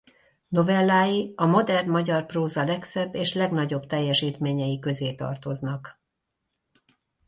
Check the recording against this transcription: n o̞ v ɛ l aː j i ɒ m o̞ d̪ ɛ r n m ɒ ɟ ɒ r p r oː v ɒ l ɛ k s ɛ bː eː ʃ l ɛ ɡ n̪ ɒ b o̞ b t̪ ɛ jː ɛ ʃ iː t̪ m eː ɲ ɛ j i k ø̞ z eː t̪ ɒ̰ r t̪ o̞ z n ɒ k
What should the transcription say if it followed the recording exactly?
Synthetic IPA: n o̞ v ɛ lː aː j i ɒ m o̞ d̪ ɛ r n m ɒ ɟ ɒ r p r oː z ɒ l ɛ k s ɛ bː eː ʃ l ɛ ɡ n̪ ɒ ɟ o̞ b t̪ ɛ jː ɛ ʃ iː t̪ m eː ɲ ɛ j i k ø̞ z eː t̪ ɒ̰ r t̪ o̞ z n ɒ k